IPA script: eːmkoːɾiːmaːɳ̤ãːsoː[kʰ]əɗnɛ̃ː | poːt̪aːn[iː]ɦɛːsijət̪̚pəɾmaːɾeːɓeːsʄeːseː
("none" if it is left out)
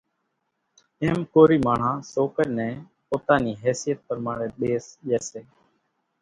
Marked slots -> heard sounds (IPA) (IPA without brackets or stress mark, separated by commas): k, iː